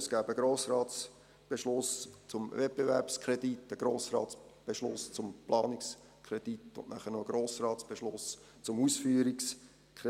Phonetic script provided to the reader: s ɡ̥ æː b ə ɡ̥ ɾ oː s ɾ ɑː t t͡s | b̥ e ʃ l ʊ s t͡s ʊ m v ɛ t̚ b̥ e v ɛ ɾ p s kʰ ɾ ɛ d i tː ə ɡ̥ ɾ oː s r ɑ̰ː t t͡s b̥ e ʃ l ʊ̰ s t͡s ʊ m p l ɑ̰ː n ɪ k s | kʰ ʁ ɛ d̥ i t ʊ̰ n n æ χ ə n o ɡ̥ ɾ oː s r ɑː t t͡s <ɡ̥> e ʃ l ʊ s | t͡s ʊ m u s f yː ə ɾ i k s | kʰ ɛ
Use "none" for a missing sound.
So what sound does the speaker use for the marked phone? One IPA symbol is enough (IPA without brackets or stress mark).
b̥